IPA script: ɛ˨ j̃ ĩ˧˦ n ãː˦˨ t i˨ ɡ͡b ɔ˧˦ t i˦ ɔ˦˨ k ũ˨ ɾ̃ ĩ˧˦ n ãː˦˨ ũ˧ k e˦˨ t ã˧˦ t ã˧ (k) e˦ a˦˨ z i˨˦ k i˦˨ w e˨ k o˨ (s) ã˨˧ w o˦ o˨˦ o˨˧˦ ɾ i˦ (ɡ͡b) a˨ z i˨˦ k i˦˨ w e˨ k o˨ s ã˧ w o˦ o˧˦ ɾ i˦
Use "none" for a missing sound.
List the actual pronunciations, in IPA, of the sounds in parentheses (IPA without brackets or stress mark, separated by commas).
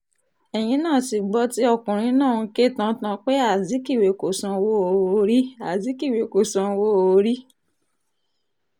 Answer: k͡p, s, none